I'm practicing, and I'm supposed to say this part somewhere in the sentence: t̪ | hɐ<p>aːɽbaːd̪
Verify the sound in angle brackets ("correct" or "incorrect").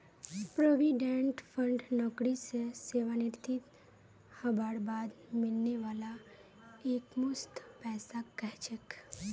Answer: incorrect